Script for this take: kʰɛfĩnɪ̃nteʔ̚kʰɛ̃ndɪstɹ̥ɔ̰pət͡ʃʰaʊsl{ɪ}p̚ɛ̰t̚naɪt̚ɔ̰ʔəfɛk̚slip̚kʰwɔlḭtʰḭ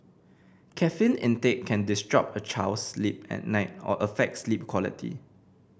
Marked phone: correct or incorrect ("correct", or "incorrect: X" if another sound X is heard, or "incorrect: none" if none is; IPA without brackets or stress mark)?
incorrect: i